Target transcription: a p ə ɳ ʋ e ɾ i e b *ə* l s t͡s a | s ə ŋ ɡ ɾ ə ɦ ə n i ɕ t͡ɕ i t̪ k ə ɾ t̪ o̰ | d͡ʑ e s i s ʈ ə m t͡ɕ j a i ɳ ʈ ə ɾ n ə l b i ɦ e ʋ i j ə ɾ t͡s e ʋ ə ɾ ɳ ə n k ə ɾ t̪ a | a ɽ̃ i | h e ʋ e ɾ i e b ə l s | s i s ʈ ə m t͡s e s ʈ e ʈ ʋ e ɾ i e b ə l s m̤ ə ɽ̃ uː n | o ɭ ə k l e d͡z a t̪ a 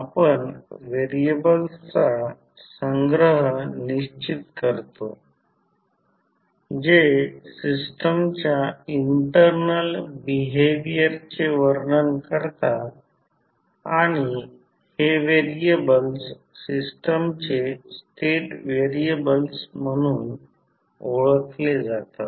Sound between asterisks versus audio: correct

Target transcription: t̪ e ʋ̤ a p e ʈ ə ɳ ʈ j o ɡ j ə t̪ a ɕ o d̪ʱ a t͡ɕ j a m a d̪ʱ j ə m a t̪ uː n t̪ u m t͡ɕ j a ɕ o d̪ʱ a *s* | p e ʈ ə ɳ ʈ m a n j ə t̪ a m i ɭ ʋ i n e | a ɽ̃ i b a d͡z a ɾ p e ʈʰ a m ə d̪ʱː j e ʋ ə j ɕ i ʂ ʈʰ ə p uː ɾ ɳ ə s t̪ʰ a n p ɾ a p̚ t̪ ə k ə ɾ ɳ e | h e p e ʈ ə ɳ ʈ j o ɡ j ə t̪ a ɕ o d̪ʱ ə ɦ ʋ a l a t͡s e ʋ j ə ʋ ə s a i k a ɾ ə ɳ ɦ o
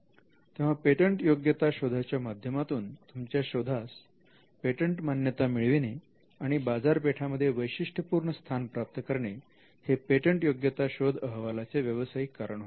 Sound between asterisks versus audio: correct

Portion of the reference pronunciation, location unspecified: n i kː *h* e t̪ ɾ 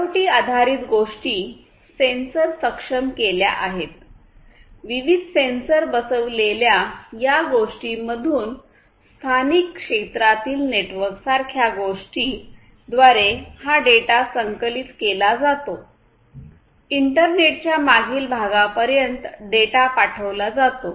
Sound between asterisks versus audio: incorrect: ʂ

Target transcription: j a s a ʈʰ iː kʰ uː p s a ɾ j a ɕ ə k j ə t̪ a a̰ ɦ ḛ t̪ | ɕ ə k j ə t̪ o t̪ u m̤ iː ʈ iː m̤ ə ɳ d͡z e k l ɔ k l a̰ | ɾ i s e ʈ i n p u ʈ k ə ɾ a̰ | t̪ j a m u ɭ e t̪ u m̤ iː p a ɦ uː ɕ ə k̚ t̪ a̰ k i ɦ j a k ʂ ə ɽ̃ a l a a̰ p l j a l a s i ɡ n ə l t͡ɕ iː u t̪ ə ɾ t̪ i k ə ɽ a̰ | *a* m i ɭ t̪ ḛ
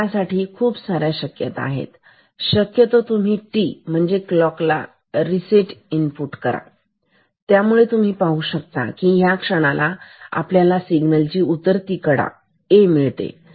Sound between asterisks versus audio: incorrect: e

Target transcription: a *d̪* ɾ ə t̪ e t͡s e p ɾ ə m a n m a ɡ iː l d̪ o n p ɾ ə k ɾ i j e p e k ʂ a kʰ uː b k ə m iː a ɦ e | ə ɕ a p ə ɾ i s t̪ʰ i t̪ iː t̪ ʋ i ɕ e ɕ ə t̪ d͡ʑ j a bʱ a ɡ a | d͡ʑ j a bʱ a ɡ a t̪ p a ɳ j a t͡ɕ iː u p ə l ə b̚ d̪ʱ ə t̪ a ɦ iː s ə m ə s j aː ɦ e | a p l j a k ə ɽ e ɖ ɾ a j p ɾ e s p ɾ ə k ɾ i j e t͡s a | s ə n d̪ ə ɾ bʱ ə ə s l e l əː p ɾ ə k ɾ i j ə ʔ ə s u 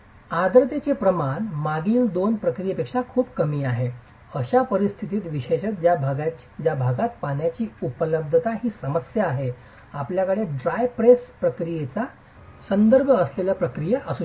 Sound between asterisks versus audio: correct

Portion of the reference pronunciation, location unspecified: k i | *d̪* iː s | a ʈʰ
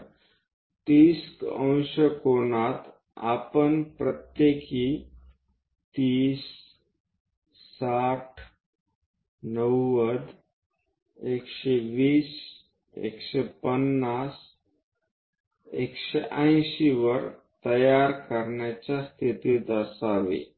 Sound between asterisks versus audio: incorrect: t̪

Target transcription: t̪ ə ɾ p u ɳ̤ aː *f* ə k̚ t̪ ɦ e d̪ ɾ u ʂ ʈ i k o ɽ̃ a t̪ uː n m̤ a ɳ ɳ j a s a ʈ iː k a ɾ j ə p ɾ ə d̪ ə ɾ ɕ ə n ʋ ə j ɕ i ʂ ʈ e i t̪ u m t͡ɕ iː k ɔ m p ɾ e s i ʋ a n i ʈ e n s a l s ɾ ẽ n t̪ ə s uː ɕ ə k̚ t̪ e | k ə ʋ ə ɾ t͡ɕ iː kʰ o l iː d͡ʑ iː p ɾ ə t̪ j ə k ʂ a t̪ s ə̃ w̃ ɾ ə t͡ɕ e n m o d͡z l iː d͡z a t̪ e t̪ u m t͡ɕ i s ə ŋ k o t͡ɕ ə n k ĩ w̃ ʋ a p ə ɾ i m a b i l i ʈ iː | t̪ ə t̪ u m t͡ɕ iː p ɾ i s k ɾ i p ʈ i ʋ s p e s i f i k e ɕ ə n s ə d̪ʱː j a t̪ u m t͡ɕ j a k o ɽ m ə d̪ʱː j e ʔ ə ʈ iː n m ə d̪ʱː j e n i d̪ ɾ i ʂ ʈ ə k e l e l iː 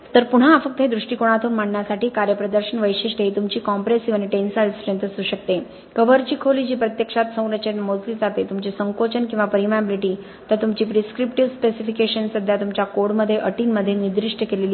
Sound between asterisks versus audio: correct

